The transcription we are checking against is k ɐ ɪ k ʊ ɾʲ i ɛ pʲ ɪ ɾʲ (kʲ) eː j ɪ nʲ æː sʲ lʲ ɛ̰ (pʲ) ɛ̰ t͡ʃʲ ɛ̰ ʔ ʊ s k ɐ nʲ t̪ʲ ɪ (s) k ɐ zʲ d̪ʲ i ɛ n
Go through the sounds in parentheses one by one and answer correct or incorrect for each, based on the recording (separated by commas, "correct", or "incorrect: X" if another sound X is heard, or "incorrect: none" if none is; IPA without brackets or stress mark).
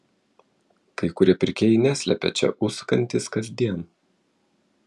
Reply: correct, correct, correct